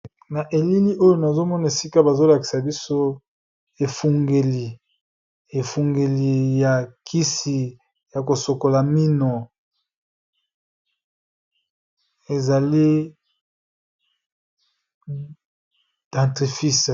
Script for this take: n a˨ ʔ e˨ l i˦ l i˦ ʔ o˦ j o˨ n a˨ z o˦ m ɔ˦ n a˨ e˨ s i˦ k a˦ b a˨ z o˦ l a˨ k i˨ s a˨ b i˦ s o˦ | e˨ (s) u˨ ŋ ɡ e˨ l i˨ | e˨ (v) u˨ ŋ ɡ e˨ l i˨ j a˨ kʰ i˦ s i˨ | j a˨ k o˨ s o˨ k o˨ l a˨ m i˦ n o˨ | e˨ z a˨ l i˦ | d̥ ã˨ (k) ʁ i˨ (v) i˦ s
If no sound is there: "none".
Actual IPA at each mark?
f, f, t, f

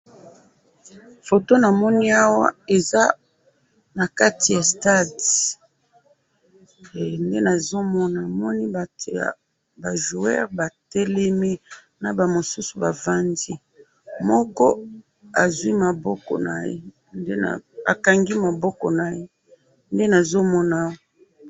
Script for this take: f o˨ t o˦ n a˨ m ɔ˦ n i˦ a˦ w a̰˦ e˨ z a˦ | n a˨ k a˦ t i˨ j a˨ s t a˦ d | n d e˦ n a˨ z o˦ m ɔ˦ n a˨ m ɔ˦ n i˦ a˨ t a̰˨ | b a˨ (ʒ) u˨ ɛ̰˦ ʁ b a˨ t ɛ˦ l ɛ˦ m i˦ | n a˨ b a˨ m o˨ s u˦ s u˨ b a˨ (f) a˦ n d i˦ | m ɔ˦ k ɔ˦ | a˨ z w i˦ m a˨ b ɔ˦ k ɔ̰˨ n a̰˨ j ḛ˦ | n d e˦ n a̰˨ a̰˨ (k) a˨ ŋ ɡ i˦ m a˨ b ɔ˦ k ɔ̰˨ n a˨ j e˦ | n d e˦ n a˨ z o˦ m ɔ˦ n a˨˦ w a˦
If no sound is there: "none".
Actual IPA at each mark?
ʒ, v, k

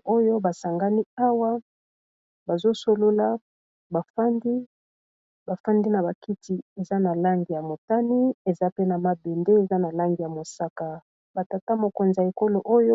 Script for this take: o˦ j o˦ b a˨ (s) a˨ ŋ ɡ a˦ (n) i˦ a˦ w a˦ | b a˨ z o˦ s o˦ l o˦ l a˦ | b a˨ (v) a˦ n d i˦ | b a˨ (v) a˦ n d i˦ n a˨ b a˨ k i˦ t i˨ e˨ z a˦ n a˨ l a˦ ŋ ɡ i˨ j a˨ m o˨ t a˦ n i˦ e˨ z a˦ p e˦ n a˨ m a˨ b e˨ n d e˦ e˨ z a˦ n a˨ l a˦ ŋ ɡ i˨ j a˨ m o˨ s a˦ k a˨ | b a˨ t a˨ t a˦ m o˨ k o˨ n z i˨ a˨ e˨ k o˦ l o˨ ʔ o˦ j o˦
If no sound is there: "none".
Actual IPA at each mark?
s, n, f, f

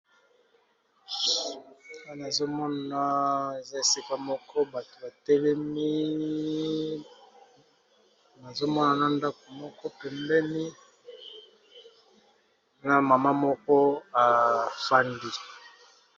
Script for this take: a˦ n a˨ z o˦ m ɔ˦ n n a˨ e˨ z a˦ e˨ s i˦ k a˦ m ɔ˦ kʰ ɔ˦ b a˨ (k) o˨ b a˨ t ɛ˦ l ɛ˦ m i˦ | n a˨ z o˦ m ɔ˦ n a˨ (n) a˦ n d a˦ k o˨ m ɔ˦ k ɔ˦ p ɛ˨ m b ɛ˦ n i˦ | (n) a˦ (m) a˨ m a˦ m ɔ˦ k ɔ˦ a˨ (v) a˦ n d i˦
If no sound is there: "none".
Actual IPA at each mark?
t, n, n, m, f

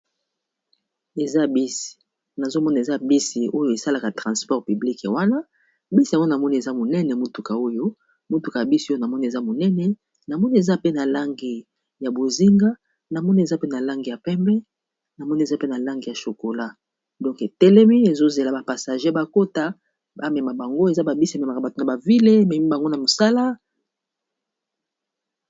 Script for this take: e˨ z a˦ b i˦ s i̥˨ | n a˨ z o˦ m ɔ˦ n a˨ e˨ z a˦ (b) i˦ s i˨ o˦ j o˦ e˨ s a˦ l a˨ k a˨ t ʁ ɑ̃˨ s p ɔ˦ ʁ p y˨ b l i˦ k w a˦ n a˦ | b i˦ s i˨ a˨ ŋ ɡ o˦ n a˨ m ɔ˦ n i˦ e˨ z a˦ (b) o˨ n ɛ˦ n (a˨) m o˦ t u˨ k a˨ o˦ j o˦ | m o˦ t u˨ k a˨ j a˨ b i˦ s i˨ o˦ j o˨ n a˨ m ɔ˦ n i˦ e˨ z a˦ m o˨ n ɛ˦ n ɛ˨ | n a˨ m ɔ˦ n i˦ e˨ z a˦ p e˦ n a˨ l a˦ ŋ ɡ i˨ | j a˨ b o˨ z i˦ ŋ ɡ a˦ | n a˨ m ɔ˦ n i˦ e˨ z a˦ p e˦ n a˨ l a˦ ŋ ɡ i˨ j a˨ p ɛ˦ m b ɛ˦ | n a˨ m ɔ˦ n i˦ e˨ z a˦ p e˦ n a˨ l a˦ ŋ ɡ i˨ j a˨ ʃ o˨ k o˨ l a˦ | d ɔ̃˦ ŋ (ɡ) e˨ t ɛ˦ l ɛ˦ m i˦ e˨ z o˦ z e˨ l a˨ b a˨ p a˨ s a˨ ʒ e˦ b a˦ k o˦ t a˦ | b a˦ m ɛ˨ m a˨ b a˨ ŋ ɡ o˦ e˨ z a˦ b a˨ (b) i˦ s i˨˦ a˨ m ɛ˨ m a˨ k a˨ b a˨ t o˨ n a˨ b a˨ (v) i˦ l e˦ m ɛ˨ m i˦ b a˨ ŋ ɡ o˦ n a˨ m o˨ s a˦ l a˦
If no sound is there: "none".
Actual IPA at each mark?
b, m, ɛ˨, k, b, v

